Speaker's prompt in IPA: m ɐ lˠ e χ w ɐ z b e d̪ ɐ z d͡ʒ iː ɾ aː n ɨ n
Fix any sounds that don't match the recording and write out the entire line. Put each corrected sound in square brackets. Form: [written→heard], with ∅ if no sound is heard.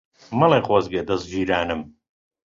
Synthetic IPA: m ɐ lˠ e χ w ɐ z [b→ɡ] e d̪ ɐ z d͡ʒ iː ɾ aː n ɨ [n→m]